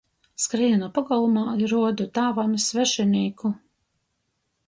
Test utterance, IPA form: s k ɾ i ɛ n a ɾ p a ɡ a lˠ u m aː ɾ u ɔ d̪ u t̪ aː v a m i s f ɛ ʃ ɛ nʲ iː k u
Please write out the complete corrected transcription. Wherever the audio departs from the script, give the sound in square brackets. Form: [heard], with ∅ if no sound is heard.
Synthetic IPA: s k ɾ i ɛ n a [∅] p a ɡ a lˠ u m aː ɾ u ɔ d̪ u t̪ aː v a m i s [v] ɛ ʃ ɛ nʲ iː k u